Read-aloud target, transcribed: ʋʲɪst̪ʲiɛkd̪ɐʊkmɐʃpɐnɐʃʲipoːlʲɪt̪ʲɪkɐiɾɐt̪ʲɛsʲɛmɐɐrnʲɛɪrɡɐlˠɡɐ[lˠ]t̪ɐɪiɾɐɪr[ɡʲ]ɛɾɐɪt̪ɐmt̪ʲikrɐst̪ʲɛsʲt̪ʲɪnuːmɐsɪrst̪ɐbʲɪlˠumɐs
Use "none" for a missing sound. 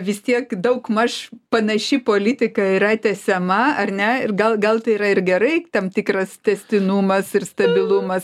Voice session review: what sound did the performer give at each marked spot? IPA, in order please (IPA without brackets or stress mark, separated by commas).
lˠ, ɡʲ